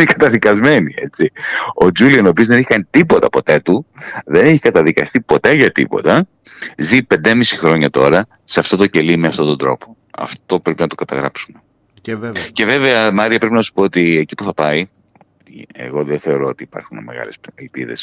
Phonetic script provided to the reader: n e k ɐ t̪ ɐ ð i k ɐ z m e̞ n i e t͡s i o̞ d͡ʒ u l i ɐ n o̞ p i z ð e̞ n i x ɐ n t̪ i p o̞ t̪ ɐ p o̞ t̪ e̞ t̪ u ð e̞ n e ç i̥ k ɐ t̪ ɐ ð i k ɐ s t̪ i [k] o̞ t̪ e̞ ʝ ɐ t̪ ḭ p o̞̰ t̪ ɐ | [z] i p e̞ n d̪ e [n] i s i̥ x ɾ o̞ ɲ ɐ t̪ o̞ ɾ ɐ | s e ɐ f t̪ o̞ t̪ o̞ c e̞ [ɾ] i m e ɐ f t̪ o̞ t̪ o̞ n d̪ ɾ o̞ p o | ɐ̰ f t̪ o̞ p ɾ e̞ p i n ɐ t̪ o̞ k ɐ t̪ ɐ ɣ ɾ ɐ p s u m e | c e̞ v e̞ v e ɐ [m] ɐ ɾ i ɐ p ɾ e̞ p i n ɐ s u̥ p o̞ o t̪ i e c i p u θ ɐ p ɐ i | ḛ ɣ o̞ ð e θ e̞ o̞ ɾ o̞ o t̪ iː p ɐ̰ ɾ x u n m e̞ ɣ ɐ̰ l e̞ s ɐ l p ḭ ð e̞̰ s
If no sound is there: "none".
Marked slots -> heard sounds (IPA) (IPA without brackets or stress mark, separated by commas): p, z, m, l, m